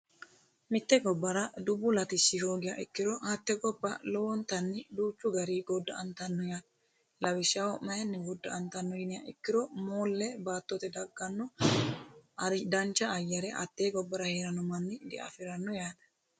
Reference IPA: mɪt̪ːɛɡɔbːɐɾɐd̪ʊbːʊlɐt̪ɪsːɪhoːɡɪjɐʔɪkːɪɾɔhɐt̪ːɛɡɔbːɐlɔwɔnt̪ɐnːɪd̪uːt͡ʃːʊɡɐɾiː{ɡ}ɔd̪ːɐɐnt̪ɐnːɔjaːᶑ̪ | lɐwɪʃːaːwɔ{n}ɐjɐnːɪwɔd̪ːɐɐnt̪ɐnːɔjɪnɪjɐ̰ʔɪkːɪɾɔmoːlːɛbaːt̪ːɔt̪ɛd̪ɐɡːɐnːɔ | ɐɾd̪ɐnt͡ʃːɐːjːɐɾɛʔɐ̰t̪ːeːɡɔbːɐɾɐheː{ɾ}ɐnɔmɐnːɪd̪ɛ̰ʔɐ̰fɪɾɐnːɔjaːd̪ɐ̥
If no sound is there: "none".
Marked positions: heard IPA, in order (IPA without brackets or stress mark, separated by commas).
ɡ, m, ɾ